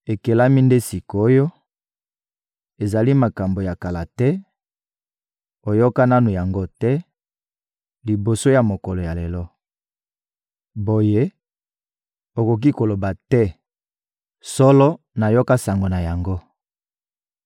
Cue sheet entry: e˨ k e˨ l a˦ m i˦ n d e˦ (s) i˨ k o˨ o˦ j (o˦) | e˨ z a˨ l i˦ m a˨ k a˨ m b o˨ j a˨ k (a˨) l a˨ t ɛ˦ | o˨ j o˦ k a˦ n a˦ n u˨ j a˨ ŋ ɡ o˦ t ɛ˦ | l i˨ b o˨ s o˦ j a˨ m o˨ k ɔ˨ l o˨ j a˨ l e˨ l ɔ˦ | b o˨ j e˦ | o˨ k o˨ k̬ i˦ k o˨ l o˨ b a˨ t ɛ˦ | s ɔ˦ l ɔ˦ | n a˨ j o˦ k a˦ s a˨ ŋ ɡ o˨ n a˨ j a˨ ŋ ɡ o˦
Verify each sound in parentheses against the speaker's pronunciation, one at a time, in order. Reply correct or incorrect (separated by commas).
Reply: correct, correct, correct